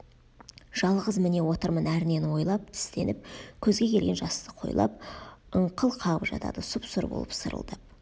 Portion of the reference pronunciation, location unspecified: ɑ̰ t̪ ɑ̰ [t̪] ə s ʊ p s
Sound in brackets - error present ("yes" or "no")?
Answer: yes